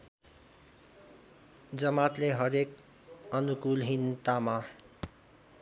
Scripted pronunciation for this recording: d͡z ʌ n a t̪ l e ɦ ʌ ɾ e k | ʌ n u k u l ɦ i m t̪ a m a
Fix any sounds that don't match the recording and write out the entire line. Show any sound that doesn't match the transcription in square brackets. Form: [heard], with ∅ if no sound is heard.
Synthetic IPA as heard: d͡z ʌ [m] a t̪ l e ɦ ʌ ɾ e k | ʌ n u k u l ɦ i [n] t̪ a m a